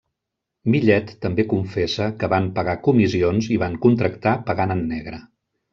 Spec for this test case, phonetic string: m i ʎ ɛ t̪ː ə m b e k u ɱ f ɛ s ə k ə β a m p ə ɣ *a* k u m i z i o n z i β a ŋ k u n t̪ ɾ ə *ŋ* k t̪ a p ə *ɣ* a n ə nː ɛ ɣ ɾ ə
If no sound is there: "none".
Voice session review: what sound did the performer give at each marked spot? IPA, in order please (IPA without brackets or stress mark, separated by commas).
a, none, ɣ